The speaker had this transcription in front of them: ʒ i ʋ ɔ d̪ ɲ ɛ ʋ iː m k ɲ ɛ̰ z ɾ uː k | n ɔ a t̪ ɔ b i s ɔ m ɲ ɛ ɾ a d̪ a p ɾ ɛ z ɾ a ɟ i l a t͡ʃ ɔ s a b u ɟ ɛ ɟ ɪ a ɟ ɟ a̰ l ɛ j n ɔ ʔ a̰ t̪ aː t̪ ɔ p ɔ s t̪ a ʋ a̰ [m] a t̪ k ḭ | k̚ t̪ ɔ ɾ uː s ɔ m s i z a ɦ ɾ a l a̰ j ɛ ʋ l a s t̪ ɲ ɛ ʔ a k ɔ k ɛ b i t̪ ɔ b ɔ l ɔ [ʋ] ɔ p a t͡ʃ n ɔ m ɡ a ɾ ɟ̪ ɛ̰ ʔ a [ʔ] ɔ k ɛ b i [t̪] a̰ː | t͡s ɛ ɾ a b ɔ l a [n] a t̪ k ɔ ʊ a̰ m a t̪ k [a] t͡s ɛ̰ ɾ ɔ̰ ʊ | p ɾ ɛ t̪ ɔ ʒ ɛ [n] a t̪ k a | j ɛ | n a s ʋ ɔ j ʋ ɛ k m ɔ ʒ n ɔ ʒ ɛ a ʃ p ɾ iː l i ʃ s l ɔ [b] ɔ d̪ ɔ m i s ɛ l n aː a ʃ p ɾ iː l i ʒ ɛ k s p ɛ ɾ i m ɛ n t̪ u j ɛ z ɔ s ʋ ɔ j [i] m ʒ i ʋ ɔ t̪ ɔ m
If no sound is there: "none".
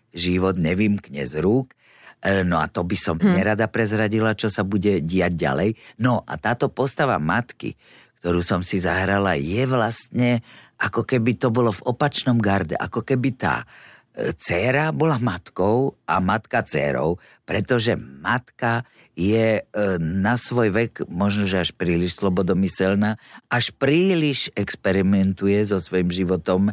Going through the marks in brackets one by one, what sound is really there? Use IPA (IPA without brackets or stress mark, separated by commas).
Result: m, v, k, t̪, m, a, m, b, i